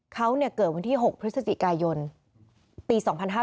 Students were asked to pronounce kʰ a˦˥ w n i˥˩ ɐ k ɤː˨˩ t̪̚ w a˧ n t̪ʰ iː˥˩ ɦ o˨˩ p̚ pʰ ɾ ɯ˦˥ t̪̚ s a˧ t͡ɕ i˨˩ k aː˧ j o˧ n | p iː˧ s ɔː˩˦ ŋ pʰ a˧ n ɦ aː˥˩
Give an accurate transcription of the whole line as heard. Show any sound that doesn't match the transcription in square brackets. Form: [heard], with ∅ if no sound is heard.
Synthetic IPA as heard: kʰ a˦˥ w n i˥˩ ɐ k ɤː˨˩ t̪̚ w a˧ n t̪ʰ iː˥˩ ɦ o˨˩ [k̚] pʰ ɾ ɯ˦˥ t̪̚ s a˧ t͡ɕ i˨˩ k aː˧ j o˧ n | p iː˧ s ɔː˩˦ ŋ pʰ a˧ n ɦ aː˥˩